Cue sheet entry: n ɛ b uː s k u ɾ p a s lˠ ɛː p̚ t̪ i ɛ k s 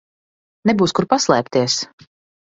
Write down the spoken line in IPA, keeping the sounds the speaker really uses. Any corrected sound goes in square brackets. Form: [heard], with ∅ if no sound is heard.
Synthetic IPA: n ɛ b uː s k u ɾ p a s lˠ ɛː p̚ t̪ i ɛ [∅] s